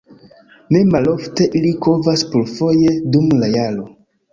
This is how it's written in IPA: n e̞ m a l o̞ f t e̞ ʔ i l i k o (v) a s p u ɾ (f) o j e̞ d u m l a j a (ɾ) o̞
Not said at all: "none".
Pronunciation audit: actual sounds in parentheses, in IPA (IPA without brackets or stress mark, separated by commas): v, f, l